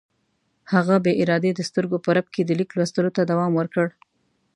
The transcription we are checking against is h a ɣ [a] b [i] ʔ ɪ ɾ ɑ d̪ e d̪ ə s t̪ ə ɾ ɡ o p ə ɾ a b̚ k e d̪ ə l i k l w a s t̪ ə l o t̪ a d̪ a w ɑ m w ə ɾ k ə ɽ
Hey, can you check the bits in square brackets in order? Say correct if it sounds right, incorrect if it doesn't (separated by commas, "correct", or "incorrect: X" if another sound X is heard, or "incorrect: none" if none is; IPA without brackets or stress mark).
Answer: correct, incorrect: e